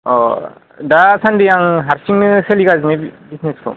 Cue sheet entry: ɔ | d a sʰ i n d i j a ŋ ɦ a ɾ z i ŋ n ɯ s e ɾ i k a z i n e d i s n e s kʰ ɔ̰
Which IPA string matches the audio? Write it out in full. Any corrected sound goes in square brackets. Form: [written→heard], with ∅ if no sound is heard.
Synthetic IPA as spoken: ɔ | d a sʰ [i→a] n d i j a ŋ ɦ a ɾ [z→s] i ŋ n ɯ s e [ɾ→l] i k a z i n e [d→b] i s n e s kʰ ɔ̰